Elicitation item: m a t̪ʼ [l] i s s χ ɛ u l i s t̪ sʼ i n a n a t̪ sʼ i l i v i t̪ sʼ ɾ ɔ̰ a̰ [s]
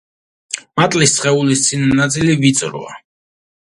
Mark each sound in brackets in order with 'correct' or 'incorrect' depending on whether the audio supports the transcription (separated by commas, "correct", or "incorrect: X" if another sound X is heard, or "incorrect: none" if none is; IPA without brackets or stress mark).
correct, incorrect: none